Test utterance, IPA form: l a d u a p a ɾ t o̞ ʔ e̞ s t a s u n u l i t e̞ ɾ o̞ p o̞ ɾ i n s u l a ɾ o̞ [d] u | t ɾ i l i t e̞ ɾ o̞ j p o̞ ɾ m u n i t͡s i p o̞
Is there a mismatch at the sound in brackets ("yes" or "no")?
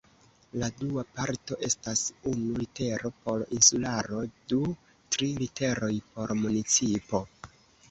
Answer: no